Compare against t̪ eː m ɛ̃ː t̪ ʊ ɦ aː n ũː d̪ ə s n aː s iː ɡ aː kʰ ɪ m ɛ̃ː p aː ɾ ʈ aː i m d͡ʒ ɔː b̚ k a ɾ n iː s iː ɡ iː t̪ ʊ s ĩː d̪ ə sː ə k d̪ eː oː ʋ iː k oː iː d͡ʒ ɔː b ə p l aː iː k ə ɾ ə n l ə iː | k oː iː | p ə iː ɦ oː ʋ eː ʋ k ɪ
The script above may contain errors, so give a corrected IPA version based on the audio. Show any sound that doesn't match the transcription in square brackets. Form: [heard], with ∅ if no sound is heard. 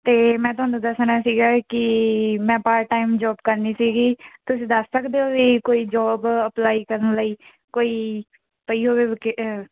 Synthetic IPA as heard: t̪ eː m ɛ̃ː t̪ ʊ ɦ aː n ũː d̪ ə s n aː s iː ɡ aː [k] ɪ m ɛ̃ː p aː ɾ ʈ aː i m d͡ʒ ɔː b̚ k [ə] ɾ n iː s iː ɡ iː t̪ ʊ s ĩː d̪ ə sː ə k d̪ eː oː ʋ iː k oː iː d͡ʒ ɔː b ə p l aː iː k ə ɾ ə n l ə iː | k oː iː | p ə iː ɦ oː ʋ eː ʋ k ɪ